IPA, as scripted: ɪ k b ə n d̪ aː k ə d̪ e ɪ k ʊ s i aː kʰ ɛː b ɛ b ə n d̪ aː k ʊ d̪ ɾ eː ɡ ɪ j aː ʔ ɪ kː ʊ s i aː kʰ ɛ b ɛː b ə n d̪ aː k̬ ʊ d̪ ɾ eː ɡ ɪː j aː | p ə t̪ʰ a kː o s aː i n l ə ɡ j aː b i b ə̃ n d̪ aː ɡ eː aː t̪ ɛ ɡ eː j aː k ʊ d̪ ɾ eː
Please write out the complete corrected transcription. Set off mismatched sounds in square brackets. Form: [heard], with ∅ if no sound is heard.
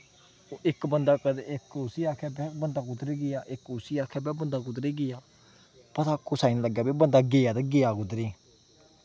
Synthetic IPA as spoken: ɪ k b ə n d̪ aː k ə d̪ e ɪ k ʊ s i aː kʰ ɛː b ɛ b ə n d̪ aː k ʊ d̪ ɾ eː ɡ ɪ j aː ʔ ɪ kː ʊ s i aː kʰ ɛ b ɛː b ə n d̪ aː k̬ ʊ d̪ ɾ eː ɡ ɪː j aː | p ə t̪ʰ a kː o s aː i n l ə ɡ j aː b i b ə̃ n d̪ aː ɡ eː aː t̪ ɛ ɡ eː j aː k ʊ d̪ ɾ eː